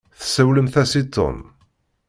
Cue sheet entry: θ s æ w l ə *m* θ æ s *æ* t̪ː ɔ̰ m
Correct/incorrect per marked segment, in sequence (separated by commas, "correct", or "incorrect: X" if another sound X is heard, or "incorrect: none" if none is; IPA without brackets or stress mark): correct, incorrect: i